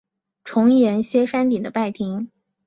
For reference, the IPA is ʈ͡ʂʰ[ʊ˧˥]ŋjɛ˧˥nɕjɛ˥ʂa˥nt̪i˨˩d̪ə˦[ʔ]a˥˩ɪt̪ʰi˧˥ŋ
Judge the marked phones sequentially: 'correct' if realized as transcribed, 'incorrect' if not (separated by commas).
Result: correct, incorrect